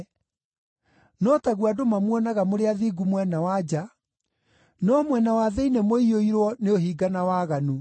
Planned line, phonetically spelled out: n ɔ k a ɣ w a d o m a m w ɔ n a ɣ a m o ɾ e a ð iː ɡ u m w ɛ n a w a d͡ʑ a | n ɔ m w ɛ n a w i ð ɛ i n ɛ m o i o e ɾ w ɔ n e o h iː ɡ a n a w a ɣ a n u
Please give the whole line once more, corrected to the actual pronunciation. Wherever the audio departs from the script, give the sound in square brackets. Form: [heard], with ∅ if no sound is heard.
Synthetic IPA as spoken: n ɔ [t] a ɣ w a d o m a m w ɔ n a ɣ a m o ɾ e a ð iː ɡ u m w ɛ n a w a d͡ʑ a | n ɔ m w ɛ n a w [a] ð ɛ i n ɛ m o i o [i] ɾ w ɔ n e o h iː ɡ a n a w a ɣ a n u

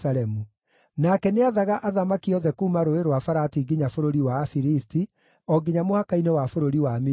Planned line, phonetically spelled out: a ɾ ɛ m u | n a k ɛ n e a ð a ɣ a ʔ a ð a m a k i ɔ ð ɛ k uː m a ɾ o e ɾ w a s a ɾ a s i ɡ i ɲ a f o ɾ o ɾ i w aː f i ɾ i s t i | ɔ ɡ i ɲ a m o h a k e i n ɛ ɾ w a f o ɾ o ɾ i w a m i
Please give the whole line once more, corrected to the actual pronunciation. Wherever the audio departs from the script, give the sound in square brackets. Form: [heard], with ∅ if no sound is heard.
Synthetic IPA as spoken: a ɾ ɛ m u | n a k ɛ n e a ð a ɣ a ʔ a ð a m a k i ɔ ð ɛ k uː m a ɾ o e ɾ w a [f] a ɾ a [t] i ɡ i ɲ a f o ɾ o ɾ i w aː f i ɾ i s t i | ɔ ɡ i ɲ a m o h a k [a] i n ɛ [∅] w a f o ɾ o ɾ i w a m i

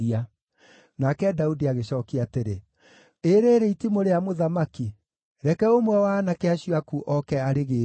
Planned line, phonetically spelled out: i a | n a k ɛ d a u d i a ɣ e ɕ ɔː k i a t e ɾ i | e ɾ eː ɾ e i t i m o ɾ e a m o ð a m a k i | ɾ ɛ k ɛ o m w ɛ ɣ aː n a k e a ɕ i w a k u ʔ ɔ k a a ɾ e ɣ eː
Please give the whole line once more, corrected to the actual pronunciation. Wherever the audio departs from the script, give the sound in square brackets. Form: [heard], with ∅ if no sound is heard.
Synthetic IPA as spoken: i a | n a k ɛ d a u d i a ɣ e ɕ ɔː k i a t e ɾ [e] | e ɾ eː ɾ e i t i m o ɾ e a m o ð a m a k i | ɾ ɛ k ɛ o m w ɛ [w] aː n a k e a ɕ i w a k u ʔ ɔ k [ɛ] a ɾ e ɣ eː

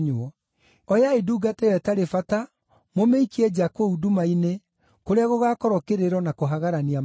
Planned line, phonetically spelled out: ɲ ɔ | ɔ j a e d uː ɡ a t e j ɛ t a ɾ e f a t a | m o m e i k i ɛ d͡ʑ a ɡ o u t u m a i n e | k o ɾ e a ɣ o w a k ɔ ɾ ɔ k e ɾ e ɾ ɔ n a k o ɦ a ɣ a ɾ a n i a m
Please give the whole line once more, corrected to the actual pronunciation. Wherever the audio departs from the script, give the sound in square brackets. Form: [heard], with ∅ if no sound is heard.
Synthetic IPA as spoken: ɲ ɔ | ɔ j a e d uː ɡ a t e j ɛ t a ɾ e f a t a | m o m e i k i ɛ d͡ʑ a [k] o u [d] u m a i n e | k o ɾ e a ɣ o [ɣ] a k ɔ ɾ ɔ k e ɾ e ɾ ɔ n a k o ɦ a ɣ a ɾ a n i a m

